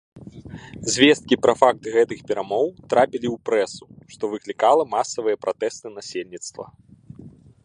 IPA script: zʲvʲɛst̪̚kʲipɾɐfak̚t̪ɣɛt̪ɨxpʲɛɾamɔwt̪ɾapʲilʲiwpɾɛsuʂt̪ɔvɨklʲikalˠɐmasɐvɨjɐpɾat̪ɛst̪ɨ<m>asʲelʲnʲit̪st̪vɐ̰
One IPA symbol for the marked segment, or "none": n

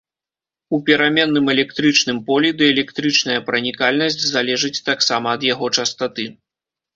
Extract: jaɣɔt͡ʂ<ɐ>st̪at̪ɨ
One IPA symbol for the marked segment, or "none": ɐ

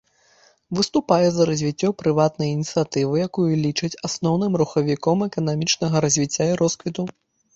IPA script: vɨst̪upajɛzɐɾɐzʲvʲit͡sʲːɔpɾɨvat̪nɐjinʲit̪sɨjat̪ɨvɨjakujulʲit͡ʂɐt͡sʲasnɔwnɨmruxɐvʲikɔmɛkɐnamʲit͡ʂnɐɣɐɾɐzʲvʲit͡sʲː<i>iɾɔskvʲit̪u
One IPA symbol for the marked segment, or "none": a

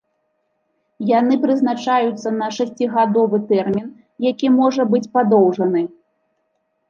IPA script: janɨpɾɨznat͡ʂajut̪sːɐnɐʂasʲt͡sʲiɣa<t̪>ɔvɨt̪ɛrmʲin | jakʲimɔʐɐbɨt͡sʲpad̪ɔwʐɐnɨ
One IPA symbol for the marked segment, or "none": d̪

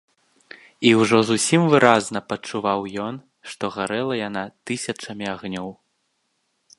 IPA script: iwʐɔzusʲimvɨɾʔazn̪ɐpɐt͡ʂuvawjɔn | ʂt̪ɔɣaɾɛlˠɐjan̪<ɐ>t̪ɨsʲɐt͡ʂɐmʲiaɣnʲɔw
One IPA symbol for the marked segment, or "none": a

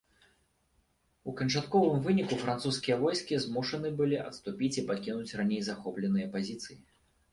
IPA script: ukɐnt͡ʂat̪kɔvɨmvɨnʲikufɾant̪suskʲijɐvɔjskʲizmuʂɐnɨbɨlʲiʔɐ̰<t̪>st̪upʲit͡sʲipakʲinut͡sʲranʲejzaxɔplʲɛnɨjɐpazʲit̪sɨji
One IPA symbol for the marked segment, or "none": t̪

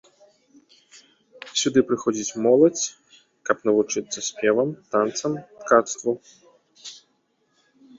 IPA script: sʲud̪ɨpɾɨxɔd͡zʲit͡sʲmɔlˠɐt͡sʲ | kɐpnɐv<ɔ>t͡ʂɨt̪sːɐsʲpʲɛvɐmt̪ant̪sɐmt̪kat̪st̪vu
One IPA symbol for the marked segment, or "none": u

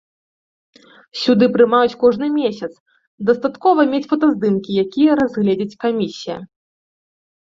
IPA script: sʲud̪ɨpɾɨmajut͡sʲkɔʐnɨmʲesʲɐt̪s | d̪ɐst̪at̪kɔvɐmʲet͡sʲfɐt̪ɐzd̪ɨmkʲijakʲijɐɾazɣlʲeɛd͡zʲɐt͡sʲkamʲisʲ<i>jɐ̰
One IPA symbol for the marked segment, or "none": i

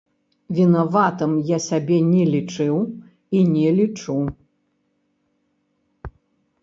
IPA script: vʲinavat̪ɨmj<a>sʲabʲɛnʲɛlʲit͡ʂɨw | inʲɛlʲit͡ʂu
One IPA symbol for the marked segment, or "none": a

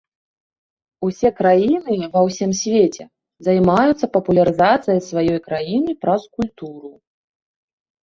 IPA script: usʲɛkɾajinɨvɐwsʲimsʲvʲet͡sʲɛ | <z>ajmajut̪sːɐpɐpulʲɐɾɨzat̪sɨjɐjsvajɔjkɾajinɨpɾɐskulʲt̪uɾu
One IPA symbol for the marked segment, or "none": z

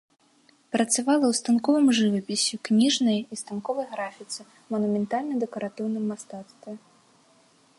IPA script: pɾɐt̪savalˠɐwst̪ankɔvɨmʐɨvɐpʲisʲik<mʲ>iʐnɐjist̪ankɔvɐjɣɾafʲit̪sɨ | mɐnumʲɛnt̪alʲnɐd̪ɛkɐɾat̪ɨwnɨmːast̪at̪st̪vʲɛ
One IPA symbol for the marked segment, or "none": nʲ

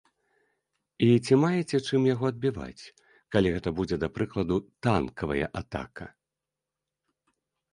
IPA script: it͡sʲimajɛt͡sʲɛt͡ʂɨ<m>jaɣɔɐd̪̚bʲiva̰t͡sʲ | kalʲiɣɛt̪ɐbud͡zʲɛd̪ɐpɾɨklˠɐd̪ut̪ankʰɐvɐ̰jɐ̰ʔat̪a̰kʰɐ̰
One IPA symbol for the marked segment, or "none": m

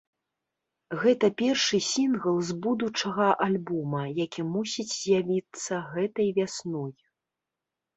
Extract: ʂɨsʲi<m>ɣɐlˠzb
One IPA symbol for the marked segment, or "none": n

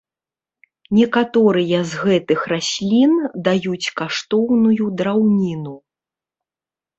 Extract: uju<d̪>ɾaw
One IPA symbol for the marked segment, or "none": d̪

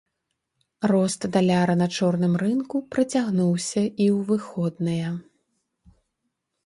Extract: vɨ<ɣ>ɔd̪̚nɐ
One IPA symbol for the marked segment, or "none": x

